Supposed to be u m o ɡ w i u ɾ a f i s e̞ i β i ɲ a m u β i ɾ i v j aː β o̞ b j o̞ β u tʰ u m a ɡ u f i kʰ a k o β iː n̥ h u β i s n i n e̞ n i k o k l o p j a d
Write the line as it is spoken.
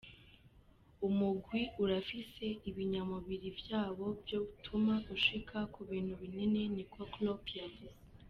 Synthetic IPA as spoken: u m u ɡ w i u ɾ a f i s e̞ i β i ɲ a m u β i ɾ i v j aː β o̞ b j o̞ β u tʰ u m a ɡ u ʃ i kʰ a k u β iː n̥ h u β i n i n e̞ n i k o k l o p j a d